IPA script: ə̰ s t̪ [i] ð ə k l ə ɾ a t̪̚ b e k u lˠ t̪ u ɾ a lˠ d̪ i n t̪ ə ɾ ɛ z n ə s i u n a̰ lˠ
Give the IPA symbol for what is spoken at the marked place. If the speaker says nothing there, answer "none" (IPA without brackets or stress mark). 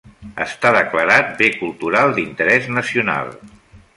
a